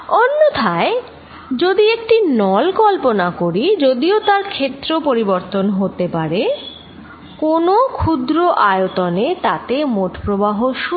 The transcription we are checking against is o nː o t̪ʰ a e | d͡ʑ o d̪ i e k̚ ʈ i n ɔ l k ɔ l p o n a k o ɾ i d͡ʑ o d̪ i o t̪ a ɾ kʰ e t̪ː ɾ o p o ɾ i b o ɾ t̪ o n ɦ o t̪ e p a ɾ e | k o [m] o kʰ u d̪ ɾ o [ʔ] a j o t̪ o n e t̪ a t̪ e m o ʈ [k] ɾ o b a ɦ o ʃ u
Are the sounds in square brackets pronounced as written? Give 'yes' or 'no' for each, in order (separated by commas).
no, yes, no